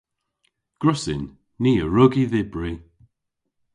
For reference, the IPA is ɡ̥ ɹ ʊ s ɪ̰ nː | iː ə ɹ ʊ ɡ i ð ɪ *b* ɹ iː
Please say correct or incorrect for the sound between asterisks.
correct